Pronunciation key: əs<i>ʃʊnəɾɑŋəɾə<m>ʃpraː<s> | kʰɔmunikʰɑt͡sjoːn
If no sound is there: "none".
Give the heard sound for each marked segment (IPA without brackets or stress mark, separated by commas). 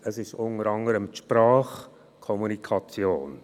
ɪ, m, χ